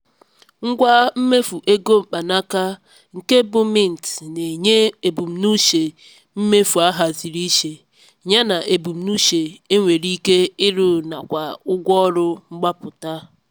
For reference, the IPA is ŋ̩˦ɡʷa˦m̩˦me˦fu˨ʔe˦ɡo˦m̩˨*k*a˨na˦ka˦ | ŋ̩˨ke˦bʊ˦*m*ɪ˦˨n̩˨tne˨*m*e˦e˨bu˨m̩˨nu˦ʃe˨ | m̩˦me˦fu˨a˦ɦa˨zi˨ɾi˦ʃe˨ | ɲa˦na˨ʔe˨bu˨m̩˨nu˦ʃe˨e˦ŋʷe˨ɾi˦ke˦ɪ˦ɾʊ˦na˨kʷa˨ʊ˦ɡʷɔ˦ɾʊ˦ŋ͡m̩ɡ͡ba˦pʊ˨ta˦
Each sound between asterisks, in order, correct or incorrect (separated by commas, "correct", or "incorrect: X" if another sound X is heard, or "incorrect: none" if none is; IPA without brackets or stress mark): incorrect: k͡p, correct, incorrect: ɲ